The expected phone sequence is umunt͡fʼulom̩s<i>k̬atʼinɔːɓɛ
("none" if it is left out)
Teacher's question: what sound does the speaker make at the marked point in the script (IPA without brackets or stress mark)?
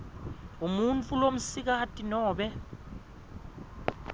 i